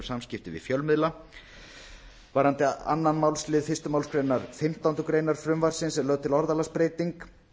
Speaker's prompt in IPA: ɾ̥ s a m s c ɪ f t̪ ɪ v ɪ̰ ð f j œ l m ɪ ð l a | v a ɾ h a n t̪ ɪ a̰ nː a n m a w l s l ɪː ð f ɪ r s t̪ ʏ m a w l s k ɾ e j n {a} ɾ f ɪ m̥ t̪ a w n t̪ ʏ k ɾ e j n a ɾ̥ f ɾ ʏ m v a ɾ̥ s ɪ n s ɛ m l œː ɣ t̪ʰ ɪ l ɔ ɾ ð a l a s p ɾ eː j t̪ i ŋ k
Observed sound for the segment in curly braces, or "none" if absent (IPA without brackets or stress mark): a